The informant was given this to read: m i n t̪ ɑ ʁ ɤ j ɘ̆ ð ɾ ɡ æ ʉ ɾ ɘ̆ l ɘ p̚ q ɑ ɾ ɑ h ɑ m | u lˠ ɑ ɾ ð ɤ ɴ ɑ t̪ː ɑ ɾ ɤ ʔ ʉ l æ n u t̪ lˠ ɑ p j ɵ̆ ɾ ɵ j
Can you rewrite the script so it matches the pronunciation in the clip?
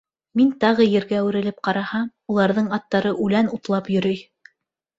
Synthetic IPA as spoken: m i n t̪ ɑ ʁ ɤ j ɘ̆ ɾ ɡ æ ʉ ɾ ɘ̆ l ɘ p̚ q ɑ ɾ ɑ h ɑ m | u lˠ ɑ ɾ ð ɤ ɴ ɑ t̪ː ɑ ɾ ɤ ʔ ʉ l æ n u t̪ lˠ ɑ p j ɵ̆ ɾ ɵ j